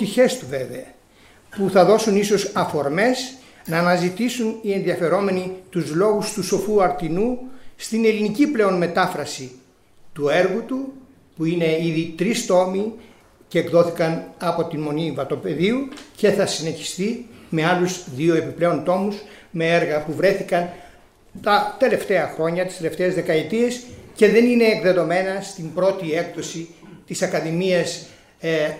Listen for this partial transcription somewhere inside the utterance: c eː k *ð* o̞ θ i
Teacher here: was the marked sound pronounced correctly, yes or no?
yes